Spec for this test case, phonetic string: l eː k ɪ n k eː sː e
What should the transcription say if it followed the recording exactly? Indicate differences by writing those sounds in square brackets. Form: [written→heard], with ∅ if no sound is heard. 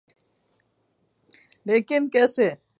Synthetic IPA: l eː k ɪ n k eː [sː→s] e